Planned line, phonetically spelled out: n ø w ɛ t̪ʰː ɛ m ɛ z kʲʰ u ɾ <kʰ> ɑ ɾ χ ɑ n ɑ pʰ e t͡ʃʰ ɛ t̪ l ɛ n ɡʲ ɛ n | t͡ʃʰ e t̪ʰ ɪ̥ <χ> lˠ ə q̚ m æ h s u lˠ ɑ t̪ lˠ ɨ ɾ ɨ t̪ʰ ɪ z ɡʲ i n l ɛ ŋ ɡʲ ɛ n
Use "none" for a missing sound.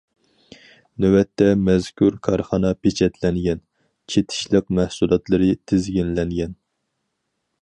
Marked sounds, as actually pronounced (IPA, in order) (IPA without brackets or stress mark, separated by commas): kʰ, ʃ